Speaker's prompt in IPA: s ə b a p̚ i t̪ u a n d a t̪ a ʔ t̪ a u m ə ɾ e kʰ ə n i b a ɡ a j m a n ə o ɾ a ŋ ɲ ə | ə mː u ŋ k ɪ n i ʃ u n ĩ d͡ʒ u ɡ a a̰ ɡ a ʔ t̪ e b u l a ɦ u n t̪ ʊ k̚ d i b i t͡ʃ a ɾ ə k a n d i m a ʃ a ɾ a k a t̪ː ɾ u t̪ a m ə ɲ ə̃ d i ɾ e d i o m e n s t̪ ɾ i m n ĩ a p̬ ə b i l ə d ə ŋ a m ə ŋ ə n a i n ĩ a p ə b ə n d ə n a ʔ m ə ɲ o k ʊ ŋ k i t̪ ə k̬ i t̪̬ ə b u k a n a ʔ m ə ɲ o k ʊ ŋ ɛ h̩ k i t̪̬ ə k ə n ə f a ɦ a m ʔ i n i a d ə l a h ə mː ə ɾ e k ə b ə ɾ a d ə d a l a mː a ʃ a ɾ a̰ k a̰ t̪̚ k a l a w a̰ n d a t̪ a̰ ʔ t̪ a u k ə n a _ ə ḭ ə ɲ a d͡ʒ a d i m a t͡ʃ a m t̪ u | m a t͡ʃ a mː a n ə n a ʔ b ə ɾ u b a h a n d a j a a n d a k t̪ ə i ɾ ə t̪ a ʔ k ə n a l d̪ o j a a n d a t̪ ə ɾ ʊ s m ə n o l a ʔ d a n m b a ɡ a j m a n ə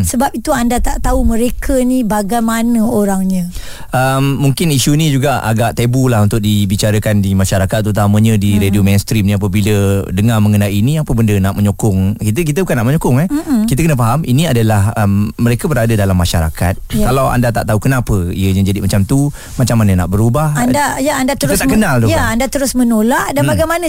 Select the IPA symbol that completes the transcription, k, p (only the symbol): p